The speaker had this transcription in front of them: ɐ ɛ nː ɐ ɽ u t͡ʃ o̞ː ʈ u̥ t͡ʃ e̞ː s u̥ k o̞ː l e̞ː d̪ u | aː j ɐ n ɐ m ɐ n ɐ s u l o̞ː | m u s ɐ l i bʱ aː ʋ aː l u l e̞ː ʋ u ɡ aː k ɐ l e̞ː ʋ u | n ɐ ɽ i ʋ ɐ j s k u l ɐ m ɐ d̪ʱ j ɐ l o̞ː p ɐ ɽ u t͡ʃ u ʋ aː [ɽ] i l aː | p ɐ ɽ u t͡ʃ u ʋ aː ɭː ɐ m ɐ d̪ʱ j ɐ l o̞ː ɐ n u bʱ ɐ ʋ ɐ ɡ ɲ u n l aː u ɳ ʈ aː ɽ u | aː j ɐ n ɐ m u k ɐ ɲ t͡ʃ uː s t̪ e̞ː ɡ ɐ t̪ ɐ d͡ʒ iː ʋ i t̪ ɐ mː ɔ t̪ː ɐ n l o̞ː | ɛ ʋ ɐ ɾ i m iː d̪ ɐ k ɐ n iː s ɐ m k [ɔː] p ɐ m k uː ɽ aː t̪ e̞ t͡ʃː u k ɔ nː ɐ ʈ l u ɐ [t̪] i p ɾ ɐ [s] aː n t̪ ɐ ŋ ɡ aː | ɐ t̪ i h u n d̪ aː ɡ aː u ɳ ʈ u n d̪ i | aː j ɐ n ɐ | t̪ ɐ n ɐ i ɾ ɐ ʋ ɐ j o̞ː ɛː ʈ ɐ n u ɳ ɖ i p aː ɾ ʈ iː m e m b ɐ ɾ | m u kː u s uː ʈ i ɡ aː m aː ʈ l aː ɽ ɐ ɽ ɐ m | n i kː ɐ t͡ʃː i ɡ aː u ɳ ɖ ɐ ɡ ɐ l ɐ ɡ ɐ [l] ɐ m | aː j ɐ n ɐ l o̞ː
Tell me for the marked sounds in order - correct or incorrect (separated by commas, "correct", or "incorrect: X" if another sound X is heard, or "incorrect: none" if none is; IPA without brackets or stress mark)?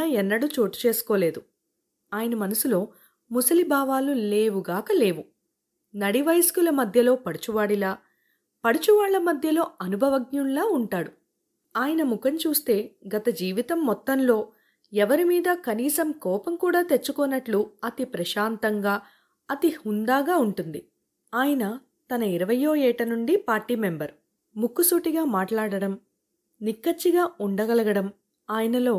correct, correct, correct, incorrect: ʃ, incorrect: ɽ